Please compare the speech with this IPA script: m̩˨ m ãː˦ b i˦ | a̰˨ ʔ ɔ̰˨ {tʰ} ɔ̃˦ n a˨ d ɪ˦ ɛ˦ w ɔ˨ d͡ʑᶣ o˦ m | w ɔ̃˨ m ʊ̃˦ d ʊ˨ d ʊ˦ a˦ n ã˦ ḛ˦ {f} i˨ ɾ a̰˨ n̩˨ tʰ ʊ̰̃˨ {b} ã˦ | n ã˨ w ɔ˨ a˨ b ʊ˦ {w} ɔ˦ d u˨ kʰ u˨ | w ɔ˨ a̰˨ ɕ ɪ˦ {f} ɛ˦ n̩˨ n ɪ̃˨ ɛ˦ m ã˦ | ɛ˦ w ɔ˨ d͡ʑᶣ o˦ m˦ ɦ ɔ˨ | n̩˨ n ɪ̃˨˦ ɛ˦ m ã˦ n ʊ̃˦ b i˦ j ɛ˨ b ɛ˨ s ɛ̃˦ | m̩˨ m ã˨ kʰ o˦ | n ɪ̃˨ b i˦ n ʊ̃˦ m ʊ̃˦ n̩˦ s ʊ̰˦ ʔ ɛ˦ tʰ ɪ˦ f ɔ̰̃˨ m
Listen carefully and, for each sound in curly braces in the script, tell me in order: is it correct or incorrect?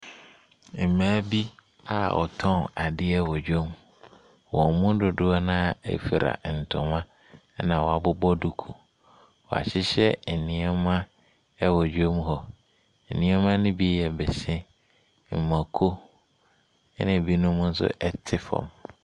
correct, correct, incorrect: m, incorrect: b, incorrect: ɕ

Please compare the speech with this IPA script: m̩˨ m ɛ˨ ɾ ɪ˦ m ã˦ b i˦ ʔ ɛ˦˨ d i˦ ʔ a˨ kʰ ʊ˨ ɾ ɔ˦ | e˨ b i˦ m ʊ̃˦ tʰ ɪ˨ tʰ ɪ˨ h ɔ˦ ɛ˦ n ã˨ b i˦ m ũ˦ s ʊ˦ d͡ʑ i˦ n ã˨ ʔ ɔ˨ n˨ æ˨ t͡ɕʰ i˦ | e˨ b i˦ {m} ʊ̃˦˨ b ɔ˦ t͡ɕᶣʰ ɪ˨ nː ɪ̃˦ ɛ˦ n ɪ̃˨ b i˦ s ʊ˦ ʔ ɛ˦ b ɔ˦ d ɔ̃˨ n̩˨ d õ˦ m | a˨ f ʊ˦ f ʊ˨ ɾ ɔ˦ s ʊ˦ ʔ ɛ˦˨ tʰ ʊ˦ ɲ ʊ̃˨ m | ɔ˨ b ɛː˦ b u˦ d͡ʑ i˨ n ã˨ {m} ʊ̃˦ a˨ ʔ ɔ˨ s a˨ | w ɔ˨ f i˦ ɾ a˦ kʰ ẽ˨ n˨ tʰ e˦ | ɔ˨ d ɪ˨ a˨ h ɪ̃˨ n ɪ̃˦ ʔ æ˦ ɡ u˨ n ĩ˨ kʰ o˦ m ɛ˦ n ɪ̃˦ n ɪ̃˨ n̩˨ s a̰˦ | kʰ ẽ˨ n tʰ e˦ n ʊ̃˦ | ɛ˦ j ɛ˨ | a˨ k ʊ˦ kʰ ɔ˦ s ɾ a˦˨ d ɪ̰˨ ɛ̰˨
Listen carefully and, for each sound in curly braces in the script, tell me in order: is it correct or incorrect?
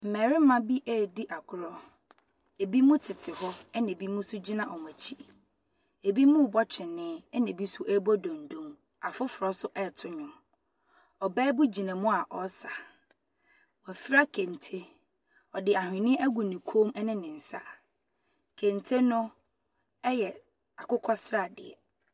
correct, correct

